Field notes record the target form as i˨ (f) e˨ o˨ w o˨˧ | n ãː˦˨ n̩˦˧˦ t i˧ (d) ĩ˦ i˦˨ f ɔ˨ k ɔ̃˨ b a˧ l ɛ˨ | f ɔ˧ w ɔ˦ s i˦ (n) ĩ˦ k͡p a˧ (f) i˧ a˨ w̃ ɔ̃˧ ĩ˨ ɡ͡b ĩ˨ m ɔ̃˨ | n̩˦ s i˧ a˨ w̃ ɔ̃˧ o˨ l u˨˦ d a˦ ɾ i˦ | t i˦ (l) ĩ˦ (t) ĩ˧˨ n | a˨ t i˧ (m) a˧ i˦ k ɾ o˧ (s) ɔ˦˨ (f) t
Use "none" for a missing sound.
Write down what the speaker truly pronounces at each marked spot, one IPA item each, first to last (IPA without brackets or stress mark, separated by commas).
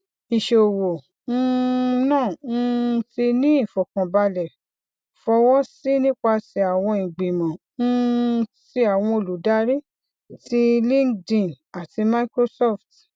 ʃ, n, n, s, l, d, m, s, f